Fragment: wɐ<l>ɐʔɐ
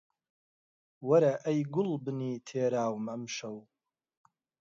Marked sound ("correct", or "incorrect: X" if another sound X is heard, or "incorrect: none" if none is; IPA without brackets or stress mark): incorrect: ɾ